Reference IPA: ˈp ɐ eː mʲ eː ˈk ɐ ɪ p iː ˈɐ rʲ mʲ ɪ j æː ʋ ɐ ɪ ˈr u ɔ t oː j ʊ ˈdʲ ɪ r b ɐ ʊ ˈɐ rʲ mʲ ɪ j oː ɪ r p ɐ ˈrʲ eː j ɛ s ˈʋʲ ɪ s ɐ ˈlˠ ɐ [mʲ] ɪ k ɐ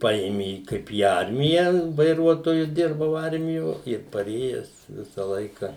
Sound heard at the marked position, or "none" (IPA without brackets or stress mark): none